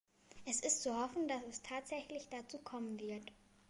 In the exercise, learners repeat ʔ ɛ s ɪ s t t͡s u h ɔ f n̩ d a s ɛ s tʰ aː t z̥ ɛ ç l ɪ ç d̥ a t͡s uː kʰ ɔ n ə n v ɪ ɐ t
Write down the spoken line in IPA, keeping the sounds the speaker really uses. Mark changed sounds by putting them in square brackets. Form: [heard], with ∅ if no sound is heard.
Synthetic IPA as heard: ʔ ɛ s ɪ s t t͡s u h ɔ f n̩ d a s ɛ s tʰ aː t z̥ ɛ ç l ɪ ç d̥ a t͡s uː kʰ ɔ [m] ə n v ɪ ɐ t